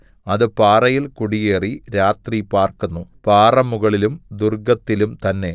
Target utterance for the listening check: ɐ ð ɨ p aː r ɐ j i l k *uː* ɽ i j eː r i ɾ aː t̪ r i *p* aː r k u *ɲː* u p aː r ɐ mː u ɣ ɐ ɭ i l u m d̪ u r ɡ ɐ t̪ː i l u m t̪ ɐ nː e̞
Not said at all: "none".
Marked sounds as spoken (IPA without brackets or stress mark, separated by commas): u, p, nː